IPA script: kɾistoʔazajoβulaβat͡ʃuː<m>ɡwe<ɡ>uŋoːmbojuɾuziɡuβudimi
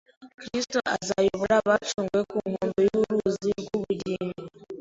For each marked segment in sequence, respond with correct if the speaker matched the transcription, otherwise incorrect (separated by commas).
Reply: incorrect, incorrect